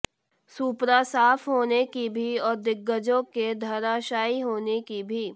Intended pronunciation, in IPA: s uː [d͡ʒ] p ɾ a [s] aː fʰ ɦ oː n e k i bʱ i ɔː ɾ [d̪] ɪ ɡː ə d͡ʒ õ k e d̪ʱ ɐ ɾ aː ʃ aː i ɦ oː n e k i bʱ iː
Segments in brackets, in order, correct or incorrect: incorrect: none, correct, correct

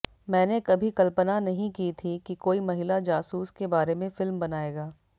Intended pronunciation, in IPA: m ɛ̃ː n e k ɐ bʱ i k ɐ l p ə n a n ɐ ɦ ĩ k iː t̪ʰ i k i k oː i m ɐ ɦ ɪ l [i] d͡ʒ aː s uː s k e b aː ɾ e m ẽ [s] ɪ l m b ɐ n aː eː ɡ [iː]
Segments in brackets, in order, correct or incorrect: incorrect: a, incorrect: f, incorrect: aː

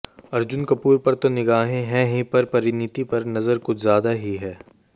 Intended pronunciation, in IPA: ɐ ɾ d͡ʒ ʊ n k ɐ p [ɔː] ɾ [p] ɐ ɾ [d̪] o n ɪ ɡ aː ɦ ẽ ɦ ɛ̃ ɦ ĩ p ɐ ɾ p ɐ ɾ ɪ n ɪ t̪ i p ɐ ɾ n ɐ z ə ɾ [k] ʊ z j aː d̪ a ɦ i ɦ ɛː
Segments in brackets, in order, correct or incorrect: incorrect: uː, correct, incorrect: t̪, correct

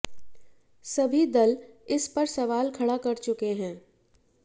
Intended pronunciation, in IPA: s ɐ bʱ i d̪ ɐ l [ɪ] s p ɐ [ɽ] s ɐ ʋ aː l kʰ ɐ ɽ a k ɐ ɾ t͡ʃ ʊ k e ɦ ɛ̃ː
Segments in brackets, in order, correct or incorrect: correct, incorrect: ɾ

